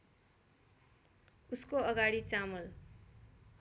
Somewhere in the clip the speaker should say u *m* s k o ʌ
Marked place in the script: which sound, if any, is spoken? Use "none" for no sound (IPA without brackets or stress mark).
none